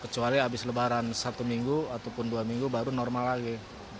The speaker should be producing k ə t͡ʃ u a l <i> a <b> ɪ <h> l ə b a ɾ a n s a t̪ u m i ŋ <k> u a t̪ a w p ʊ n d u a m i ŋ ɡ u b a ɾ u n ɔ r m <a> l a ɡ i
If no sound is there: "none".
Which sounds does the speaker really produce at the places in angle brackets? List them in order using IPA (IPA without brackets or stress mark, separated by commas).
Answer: i, b, s, ɡ, a